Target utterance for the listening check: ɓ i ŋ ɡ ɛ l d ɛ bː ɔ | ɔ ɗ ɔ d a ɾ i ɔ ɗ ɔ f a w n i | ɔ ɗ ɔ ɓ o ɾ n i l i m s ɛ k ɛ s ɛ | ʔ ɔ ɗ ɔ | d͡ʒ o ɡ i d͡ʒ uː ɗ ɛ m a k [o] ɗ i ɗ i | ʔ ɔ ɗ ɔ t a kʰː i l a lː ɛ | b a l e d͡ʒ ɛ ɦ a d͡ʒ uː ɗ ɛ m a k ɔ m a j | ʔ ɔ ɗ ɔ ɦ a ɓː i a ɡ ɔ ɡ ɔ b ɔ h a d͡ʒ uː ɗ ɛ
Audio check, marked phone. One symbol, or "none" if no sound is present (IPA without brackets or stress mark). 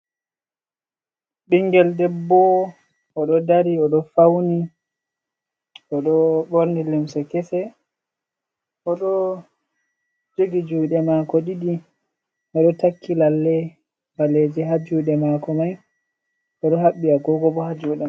ɔ